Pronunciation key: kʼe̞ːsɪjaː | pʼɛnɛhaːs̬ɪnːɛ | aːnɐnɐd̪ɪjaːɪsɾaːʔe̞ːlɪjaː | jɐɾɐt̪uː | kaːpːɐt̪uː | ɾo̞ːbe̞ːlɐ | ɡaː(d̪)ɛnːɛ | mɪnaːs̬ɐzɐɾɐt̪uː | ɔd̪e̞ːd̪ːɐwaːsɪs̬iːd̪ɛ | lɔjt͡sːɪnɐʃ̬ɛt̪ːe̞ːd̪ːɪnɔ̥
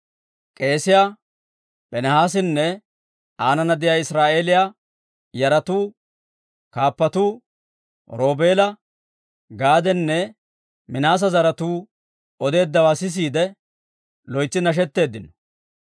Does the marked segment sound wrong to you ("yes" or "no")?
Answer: no